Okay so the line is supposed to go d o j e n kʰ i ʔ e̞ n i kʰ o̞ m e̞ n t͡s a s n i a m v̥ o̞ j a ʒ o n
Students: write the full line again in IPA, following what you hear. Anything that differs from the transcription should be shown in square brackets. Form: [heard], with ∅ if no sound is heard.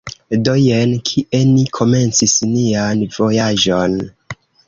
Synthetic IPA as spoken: d o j e n kʰ i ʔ e̞ n i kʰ o̞ m e̞ n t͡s [i] s n i a [n] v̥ o̞ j a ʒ o n